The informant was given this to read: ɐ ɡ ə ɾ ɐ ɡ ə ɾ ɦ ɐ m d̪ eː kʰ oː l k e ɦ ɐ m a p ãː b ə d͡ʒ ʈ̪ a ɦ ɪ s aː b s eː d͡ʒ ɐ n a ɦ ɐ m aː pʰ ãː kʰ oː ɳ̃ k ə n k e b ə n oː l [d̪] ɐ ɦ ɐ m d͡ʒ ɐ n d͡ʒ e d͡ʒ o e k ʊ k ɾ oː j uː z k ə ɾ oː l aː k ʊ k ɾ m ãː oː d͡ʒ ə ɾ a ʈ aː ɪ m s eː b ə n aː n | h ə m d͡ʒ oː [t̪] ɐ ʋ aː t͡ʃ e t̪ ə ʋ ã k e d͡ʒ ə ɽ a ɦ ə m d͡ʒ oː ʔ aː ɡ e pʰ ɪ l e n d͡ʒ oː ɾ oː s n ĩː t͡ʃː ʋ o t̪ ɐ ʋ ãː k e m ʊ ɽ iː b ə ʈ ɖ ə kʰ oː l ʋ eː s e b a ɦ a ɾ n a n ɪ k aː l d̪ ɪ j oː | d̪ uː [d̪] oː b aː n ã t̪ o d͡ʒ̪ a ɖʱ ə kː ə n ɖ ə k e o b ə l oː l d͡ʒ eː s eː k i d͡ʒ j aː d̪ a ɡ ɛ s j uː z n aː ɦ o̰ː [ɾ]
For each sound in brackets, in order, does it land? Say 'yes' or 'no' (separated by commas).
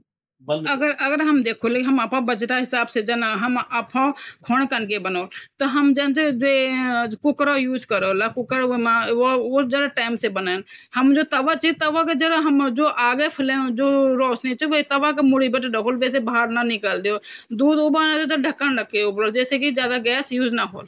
no, yes, yes, no